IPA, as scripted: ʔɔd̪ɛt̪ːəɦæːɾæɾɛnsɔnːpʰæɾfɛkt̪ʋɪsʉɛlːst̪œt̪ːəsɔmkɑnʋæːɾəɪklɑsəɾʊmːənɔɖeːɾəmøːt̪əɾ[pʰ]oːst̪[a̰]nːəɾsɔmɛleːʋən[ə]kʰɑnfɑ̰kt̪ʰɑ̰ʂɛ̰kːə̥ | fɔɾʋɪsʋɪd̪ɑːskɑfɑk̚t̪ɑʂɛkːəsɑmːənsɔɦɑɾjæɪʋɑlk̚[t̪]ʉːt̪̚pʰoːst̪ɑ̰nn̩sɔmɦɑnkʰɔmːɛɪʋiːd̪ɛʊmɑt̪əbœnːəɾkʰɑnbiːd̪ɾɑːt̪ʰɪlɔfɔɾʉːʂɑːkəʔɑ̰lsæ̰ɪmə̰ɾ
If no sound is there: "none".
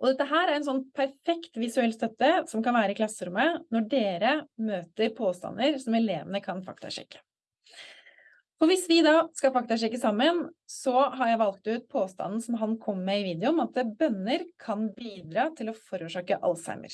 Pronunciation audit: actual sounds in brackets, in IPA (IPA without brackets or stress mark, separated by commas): pʰ, ɑ̰, ə, t̪